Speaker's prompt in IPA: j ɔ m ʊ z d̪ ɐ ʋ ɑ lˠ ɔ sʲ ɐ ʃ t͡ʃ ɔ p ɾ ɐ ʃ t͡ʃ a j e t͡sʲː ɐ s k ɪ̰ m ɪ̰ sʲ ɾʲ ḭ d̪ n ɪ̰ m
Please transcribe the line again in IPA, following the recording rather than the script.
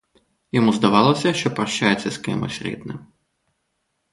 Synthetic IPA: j ɔ m u z d̪ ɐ ʋ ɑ lˠ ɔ sʲ ɐ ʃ t͡ʃ ɔ p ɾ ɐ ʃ t͡ʃ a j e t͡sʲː ɐ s k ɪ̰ m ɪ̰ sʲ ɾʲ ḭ d̪ n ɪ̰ m